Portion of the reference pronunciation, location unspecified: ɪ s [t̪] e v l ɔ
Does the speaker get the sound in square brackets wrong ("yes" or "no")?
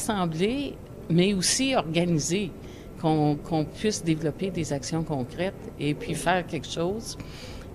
yes